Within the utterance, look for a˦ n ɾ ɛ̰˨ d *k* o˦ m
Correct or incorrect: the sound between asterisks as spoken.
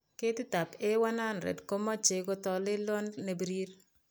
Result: correct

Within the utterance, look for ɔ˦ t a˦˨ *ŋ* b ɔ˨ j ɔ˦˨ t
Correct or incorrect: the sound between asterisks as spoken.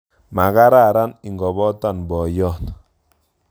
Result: incorrect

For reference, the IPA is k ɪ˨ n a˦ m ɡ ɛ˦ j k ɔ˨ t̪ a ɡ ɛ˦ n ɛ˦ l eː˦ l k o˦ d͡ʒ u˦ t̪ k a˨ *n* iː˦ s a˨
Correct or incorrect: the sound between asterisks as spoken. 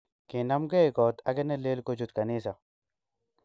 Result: correct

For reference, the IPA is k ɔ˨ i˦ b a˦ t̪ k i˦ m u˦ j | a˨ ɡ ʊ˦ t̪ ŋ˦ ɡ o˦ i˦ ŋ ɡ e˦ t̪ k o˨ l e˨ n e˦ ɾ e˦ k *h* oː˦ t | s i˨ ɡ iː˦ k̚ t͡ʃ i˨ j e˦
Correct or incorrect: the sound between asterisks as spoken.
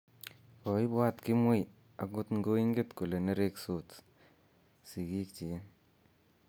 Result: incorrect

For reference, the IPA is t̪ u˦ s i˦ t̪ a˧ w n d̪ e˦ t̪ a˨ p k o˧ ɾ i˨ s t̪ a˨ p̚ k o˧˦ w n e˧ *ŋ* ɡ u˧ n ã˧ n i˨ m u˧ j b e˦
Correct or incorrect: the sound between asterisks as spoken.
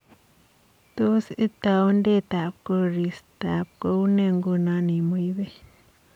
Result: correct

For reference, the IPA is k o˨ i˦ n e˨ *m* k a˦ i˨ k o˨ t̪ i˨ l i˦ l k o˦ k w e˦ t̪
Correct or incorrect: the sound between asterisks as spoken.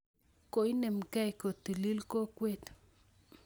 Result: correct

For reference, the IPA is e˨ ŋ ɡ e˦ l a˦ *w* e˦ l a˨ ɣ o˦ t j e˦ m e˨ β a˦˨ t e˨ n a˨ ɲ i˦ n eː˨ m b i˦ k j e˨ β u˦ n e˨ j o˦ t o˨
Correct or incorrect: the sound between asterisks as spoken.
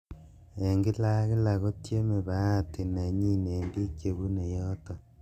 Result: incorrect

